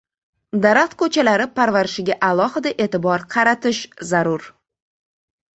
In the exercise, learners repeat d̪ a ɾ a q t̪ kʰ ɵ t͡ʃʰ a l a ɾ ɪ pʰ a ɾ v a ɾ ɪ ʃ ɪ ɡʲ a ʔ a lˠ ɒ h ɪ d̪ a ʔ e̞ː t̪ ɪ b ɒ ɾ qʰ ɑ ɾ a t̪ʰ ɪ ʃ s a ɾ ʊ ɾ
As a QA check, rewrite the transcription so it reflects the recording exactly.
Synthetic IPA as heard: d̪ a ɾ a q t̪ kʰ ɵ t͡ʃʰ a l a ɾ ɪ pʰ a ɾ v a ɾ ɪ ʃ ɪ ɡʲ a ʔ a lˠ ɒ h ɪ d̪ a ʔ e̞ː t̪ ɪ b ɒ ɾ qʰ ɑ ɾ a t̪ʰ ɪ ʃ z a ɾ ʊ ɾ